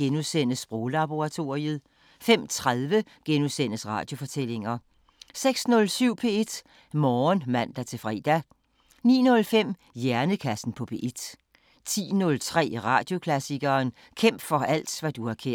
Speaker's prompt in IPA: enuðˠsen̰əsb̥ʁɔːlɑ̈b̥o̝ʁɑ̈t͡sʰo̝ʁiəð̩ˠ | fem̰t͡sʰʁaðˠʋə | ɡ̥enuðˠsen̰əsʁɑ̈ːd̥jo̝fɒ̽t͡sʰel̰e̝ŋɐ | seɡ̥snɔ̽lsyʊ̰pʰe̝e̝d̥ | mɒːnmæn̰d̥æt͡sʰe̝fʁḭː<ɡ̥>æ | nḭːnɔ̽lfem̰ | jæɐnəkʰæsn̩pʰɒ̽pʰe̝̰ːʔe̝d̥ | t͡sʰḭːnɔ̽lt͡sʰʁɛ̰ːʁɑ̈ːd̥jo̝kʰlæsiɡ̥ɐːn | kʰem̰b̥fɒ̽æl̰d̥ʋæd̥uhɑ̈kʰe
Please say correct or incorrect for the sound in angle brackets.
incorrect